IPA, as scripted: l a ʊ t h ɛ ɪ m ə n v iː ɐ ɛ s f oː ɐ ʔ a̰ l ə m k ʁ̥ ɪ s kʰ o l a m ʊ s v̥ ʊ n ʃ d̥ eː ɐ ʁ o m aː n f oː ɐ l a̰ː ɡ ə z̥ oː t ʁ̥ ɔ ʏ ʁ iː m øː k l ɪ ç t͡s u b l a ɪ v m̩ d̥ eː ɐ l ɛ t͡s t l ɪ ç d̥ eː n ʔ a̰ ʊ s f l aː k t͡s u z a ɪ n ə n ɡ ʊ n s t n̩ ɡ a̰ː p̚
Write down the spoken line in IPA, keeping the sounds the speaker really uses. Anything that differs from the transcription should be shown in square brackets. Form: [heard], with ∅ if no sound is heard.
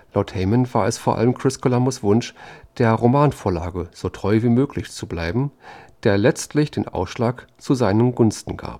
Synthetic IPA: l a ʊ t h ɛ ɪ m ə n v [aː] ɐ ɛ s f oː ɐ ʔ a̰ l ə m k ʁ̥ ɪ s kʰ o l a m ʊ s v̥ ʊ n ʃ d̥ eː ɐ ʁ o m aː n f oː ɐ l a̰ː ɡ ə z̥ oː t ʁ̥ ɔ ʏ [v] iː m øː k l ɪ ç t͡s u b l a ɪ [b] m̩ d̥ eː ɐ l ɛ t͡s t l ɪ ç d̥ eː n ʔ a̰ ʊ s [ʃ] l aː k t͡s u z a ɪ n ə n ɡ ʊ n s t n̩ ɡ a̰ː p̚